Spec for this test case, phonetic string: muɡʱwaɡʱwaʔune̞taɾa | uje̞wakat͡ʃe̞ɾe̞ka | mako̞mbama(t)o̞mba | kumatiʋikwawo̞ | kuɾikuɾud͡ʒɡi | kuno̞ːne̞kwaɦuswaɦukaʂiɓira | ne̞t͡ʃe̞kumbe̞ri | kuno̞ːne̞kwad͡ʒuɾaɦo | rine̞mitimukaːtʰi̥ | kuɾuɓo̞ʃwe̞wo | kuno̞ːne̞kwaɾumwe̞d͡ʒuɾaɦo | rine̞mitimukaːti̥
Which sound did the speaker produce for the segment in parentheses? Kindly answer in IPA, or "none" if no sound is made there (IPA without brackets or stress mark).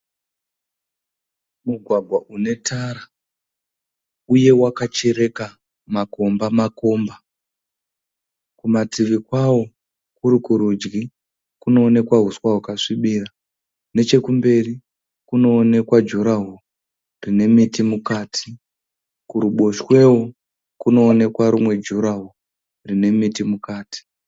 k